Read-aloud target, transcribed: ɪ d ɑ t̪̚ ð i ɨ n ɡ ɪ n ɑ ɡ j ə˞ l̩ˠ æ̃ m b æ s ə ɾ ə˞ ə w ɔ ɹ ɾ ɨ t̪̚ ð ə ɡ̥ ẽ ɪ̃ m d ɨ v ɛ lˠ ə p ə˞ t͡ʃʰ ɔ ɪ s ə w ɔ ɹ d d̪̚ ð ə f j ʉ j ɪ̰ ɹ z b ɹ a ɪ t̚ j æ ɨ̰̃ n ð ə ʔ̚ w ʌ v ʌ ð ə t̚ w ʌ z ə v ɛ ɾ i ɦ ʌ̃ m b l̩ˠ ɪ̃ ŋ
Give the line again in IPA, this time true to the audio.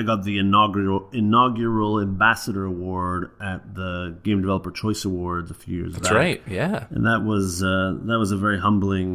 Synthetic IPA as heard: ɪ ɡ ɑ t̪̚ ð i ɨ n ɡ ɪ n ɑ ɡ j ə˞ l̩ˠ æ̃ m b æ s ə ɾ ə˞ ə w ɔ ɹ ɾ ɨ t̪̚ ð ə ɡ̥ ẽ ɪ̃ m d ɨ v ɛ lˠ ə p ə˞ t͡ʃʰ ɔ ɪ s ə w ɔ ɹ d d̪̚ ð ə f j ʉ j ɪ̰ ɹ z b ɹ a ɪ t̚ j æ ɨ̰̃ n ð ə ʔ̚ w ʌ z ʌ ð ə t̚ w ʌ z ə v ɛ ɹ i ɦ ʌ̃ m b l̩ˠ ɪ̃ ŋ